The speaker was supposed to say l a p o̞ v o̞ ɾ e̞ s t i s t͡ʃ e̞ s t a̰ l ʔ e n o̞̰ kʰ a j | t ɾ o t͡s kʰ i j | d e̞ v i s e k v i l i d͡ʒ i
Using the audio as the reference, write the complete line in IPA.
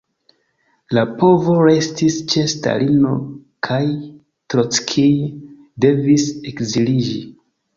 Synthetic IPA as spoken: l a p o̞ v o̞ ɾ e̞ s t i s t͡ʃ e̞ s t a̰ l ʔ i n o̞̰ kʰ a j | t ɾ o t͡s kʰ i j | d e̞ v i s e k z i l i d͡ʒ i